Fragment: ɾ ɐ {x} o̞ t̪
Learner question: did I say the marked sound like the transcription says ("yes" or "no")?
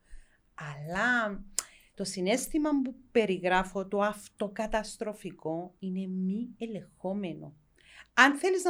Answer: no